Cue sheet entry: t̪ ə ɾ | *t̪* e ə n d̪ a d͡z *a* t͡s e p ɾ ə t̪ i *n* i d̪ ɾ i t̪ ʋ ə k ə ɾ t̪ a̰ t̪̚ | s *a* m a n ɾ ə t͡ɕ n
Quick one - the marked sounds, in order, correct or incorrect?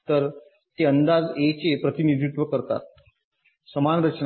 correct, incorrect: e, correct, incorrect: ə

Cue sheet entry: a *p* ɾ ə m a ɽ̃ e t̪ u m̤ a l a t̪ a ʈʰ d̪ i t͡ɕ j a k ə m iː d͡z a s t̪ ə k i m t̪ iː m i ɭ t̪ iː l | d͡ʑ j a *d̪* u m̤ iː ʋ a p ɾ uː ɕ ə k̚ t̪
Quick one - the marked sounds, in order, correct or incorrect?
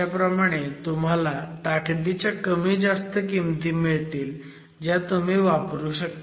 correct, incorrect: t̪

